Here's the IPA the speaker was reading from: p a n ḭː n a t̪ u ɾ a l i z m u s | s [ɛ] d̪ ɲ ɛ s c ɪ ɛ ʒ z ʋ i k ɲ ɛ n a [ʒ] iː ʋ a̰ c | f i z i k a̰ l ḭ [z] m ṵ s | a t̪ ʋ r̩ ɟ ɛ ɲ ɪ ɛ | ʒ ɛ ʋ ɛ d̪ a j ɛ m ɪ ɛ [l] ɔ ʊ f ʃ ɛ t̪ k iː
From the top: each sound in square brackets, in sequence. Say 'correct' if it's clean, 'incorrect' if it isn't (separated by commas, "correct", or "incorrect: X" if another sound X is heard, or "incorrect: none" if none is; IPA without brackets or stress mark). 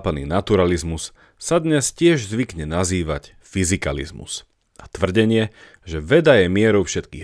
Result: incorrect: a, incorrect: z, correct, incorrect: ɾ